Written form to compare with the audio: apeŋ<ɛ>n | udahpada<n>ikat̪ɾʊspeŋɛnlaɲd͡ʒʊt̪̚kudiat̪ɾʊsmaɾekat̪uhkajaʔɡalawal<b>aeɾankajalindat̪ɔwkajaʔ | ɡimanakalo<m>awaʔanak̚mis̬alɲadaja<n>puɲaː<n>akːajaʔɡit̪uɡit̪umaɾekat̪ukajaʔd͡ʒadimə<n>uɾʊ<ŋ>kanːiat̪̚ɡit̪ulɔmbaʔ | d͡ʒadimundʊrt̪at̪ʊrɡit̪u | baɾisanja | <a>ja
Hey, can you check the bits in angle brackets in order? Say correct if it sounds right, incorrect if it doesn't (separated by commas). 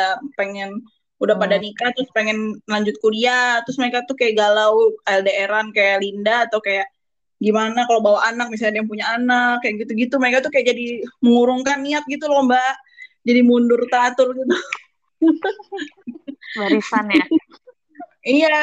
correct, correct, incorrect, incorrect, incorrect, correct, incorrect, correct, incorrect